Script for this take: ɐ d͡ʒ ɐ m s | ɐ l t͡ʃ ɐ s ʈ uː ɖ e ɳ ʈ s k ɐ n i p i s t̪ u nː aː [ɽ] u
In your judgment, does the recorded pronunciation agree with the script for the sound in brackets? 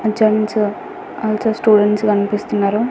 no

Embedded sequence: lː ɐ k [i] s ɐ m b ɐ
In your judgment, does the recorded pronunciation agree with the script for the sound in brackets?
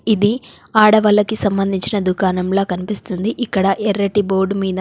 yes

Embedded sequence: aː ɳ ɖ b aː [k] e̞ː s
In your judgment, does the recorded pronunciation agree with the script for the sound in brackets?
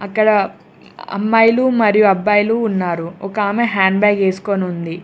no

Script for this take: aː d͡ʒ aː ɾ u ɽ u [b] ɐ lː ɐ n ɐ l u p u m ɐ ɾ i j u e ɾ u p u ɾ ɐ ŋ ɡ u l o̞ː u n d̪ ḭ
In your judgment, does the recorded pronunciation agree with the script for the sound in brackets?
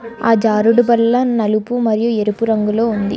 yes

